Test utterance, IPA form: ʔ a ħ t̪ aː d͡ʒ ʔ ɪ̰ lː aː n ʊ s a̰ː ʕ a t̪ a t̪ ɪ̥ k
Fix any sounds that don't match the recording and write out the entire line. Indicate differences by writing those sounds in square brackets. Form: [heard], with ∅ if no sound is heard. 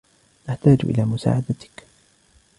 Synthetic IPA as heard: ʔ a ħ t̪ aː d͡ʒ ʔ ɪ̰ [l] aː [m] ʊ s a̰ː ʕ a [d̪] a t̪ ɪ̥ k